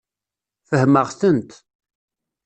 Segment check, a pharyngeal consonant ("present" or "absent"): absent